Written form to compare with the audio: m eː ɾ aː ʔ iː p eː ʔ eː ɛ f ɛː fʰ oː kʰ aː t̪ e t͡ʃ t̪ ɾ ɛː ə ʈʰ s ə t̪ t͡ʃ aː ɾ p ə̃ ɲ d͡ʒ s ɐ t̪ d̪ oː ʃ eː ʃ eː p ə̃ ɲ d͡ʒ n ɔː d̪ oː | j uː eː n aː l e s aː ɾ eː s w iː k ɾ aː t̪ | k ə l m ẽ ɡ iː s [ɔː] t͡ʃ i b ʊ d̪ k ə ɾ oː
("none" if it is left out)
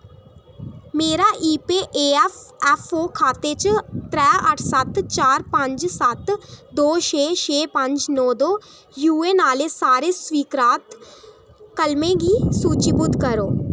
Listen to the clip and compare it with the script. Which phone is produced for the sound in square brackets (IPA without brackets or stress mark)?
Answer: uː